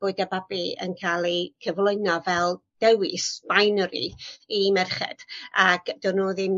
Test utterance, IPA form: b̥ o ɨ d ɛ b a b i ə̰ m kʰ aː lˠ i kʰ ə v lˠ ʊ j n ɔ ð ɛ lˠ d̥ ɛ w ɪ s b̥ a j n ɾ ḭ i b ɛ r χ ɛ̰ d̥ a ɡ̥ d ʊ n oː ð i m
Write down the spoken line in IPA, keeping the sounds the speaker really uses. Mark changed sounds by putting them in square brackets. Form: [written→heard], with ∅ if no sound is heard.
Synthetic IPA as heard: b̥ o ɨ d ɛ b a b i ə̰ [m→n] kʰ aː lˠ i kʰ ə v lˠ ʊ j n ɔ [ð→v] ɛ lˠ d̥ ɛ w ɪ s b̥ a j n ɾ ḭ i [b→m] ɛ r χ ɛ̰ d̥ a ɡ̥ d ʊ n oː ð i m